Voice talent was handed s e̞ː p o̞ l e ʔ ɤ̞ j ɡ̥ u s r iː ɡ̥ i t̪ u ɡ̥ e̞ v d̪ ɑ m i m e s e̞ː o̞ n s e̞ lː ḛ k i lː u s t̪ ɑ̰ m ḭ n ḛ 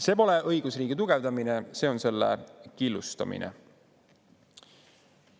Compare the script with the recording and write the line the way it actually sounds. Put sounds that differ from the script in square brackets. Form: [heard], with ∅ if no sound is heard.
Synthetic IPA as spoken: s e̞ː p o̞ l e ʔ ɤ̞ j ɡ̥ u s r iː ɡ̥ i t̪ u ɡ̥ e̞ v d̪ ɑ m i [n] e s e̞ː o̞ n s e̞ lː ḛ k i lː u s t̪ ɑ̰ m ḭ n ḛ